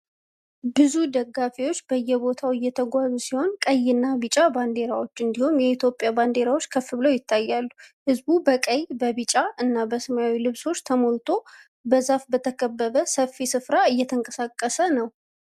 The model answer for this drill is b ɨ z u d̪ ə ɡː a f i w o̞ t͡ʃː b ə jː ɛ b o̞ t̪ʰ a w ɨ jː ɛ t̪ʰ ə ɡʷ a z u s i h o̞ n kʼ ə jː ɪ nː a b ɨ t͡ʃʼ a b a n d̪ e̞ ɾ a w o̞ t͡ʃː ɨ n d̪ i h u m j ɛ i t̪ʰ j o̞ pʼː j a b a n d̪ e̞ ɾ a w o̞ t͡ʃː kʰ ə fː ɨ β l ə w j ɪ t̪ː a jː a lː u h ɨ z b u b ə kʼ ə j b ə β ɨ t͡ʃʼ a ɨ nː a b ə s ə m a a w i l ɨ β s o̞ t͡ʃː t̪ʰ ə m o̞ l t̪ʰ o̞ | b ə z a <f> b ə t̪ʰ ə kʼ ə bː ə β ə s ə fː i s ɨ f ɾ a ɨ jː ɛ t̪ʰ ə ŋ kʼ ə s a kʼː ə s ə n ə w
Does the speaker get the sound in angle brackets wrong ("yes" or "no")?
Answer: no